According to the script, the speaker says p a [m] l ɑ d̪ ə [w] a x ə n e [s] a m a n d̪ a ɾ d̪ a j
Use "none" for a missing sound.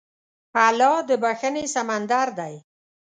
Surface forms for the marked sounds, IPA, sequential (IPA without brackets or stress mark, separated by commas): none, b, s